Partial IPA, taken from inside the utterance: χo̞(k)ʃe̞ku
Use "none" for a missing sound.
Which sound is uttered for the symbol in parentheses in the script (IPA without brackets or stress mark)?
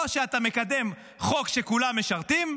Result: k